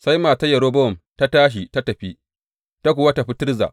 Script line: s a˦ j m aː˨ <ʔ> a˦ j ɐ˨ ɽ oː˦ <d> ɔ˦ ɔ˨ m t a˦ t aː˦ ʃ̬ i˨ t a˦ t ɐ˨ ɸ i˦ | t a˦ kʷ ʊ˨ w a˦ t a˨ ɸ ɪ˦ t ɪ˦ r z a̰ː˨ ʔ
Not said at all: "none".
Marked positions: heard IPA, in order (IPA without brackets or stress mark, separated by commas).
t, b